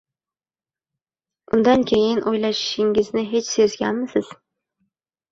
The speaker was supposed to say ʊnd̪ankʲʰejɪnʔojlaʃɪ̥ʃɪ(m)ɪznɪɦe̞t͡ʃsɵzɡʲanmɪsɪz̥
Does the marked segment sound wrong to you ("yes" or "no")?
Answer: yes